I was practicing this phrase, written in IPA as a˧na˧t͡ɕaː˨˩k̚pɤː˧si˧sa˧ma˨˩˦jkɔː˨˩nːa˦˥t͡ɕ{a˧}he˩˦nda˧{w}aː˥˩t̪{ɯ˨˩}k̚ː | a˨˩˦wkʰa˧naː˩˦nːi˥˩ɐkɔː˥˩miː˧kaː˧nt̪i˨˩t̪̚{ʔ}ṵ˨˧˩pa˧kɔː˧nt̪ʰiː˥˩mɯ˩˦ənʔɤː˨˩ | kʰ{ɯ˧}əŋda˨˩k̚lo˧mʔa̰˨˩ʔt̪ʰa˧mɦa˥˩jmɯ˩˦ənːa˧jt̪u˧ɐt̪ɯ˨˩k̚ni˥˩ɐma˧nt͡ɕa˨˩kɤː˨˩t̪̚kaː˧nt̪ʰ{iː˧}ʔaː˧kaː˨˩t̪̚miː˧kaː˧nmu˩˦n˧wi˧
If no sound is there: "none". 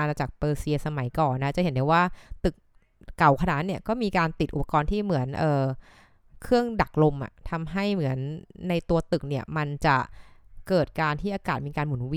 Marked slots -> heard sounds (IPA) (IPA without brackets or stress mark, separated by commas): a˨˩, w, ɯ˨˩, ʔ, ɯ˥˩, iː˥˩